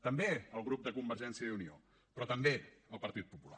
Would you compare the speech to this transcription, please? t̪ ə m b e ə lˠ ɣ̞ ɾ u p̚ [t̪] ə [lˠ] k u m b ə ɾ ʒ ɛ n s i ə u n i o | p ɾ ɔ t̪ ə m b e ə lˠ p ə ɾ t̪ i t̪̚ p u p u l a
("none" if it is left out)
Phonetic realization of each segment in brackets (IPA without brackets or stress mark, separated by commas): d̪, none